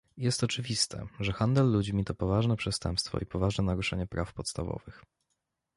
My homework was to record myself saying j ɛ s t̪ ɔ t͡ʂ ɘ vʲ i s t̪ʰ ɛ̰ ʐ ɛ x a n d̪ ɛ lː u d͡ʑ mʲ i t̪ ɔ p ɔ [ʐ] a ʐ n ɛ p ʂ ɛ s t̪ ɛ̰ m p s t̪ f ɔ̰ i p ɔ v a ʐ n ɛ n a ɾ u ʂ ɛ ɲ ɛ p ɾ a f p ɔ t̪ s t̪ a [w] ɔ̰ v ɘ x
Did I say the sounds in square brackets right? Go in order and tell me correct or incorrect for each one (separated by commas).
incorrect, incorrect